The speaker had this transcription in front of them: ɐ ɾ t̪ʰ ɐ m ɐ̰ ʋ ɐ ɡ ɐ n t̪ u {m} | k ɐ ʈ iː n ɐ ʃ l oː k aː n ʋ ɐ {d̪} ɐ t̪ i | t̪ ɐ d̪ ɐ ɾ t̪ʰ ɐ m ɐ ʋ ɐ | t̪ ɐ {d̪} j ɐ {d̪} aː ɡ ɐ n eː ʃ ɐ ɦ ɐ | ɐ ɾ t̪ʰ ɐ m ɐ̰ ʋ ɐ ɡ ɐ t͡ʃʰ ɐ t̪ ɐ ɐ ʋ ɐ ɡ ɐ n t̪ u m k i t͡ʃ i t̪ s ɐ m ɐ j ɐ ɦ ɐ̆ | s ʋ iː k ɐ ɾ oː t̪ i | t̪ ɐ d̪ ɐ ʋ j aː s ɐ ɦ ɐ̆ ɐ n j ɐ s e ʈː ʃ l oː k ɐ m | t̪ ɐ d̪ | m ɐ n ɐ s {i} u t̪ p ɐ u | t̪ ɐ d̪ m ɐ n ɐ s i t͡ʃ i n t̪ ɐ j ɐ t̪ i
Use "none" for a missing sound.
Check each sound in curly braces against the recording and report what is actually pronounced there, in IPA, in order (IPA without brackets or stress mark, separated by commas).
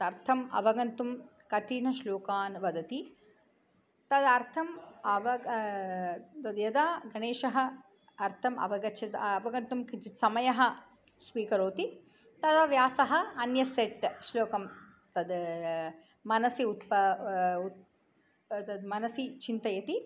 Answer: m, d̪, d̪, d̪, i